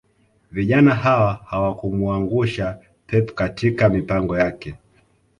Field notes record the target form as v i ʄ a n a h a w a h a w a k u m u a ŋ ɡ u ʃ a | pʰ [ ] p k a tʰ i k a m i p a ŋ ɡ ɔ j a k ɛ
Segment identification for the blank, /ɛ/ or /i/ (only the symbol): ɛ